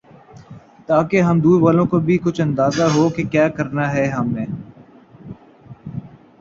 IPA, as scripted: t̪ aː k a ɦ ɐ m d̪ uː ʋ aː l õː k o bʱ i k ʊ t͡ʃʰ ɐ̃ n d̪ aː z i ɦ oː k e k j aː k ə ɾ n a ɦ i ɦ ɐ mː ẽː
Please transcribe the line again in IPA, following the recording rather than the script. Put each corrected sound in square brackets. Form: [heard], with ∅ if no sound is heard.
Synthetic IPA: t̪ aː k [e] ɦ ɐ m d̪ uː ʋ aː l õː k o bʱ i k ʊ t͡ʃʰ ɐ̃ n d̪ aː z [a] ɦ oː k e k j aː k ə ɾ n a ɦ [ɛ] ɦ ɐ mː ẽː